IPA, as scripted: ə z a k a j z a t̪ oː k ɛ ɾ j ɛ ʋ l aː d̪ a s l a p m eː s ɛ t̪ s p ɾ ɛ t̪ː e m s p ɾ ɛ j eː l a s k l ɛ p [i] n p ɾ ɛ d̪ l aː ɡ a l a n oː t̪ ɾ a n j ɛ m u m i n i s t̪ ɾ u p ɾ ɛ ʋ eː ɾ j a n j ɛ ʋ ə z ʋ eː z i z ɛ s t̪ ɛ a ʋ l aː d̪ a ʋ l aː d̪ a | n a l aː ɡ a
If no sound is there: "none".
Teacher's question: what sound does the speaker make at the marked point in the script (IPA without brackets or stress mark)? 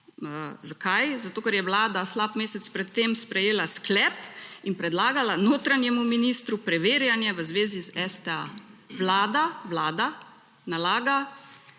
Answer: i